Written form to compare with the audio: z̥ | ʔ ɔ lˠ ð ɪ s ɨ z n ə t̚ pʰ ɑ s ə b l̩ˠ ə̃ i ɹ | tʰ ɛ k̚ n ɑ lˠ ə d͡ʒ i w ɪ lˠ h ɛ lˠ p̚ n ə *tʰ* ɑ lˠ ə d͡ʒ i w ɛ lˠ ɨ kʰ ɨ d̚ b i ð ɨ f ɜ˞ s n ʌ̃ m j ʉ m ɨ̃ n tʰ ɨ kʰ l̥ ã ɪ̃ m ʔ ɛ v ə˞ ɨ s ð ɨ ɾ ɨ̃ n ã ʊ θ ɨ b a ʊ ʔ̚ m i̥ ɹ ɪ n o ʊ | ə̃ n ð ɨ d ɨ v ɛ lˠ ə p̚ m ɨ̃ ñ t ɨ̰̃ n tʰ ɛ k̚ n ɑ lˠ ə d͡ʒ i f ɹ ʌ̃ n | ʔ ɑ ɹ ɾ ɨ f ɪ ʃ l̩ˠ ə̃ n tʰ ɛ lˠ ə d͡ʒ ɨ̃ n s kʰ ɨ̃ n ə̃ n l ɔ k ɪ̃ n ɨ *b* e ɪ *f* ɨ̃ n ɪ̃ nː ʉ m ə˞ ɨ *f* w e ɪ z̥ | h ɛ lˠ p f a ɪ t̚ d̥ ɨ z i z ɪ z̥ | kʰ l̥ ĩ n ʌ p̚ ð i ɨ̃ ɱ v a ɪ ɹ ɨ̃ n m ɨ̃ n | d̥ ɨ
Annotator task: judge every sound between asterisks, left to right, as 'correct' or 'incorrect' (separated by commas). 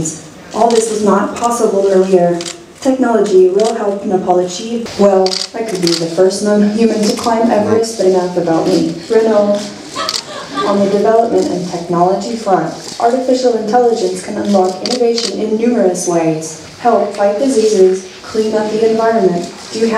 incorrect, incorrect, incorrect, incorrect